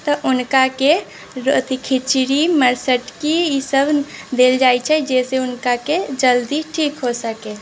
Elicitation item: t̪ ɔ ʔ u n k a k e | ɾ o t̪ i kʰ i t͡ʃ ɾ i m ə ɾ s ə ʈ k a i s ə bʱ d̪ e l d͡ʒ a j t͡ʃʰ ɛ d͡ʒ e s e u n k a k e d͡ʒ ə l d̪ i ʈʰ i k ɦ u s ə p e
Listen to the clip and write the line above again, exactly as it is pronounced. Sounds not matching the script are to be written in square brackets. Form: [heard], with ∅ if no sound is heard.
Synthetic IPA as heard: t̪ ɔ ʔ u n k a k e | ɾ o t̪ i kʰ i t͡ʃ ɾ i m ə ɾ s ə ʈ k [i] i s ə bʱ d̪ e l d͡ʒ a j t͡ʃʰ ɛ d͡ʒ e s e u n k a k e d͡ʒ ə l d̪ i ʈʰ i k ɦ [o] s ə [k] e